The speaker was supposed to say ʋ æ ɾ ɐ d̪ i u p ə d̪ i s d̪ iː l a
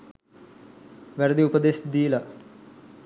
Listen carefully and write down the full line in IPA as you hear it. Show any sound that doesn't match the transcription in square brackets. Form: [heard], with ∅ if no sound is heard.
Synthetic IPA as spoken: ʋ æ ɾ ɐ d̪ i u p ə d̪ [e] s d̪ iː l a